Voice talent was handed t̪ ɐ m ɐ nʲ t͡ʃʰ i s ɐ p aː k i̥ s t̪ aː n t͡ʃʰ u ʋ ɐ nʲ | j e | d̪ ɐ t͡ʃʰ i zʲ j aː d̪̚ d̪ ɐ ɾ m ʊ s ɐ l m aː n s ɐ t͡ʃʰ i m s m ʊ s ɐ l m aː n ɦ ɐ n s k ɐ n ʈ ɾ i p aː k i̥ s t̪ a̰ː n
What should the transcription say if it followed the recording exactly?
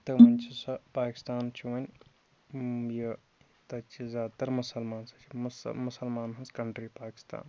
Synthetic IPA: t̪ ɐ m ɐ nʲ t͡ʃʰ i s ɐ p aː k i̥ s t̪ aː n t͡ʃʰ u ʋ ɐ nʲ | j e | t̪ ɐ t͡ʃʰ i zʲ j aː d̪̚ t̪ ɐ ɾ m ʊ s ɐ l m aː n s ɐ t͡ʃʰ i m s m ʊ s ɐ l m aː n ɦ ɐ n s k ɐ ɳ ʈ ɾ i p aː k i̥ s t̪ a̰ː n

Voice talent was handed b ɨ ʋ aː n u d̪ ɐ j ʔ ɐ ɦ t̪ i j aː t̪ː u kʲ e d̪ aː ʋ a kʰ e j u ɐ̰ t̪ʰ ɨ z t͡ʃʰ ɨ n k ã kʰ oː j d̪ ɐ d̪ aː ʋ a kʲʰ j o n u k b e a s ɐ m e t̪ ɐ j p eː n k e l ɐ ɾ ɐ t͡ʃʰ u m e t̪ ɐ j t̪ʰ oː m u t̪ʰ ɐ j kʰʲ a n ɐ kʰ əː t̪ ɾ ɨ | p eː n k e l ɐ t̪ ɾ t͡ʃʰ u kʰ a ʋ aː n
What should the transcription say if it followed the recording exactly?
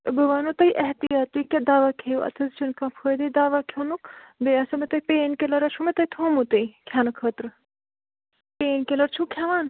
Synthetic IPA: b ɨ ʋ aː n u t̪ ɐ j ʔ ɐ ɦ t̪ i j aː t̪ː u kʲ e d̪ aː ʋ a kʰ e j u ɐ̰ t̪ʰ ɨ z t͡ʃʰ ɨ n k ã pʰ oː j d̪ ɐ d̪ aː ʋ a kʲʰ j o n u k b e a s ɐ m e t̪ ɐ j p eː n k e l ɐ ɾ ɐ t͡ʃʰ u m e t̪ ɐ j t̪ʰ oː m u t̪ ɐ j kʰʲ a n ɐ kʰ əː t̪ ɾ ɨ | p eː n k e l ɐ ɾ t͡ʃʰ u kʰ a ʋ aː n

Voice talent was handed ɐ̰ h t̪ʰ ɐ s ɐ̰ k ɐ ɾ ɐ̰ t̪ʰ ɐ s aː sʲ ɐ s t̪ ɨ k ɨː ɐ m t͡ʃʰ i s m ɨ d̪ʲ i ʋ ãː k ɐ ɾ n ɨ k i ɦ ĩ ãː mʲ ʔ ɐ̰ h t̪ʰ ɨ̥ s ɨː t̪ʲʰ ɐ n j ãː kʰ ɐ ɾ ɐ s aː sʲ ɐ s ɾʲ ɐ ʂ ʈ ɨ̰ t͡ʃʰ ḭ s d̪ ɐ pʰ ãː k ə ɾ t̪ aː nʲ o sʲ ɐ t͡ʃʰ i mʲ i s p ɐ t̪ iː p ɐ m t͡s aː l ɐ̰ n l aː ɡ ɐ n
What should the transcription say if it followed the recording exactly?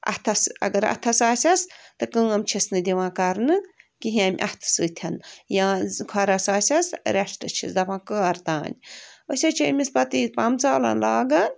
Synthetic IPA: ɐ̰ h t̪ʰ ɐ s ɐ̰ ɡ ɐ ɾ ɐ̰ t̪ʰ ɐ s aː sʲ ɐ s t̪ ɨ k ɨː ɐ m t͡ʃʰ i s n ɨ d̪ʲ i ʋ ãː k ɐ ɾ n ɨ k i ɦ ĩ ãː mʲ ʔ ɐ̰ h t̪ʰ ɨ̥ s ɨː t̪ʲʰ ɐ n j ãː kʰ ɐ ɾ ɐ s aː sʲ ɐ s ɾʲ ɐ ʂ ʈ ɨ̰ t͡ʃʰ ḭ s d̪ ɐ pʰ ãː k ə ɾ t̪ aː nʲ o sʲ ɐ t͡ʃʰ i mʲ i s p ɐ t̪ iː p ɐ m t͡s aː l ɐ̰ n l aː ɡ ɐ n

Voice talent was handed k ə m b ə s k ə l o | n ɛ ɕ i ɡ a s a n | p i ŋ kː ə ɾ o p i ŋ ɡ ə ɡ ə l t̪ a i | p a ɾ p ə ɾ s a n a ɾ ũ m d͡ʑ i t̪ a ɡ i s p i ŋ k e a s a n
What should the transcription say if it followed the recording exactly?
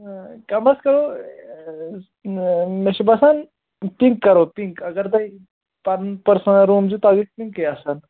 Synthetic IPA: k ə m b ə s k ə ɾ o | m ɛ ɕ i b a s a n | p i ŋ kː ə ɾ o p i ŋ k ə ɡ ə ɾ t̪ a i | p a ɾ p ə ɾ s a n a ɾ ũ m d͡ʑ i t̪ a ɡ i s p i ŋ k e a s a n

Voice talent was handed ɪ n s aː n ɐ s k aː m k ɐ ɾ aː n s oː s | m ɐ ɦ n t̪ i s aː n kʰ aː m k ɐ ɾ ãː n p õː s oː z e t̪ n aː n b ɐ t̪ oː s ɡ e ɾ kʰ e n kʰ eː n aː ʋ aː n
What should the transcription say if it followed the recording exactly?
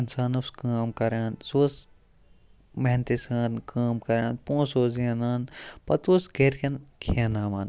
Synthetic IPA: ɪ n s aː n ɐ s k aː m k ɐ ɾ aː n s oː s | m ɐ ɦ n t̪ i s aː n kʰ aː m k ɐ ɾ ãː n p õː s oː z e n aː n p ɐ t̪ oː s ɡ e ɾ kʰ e n kʰ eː n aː ʋ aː n

